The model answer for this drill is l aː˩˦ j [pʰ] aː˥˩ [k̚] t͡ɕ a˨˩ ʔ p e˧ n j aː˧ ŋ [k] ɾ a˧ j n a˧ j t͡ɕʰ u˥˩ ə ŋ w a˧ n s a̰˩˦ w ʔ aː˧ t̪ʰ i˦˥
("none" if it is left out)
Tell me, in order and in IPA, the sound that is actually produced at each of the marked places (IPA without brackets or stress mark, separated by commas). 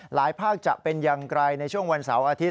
pʰ, k̚, k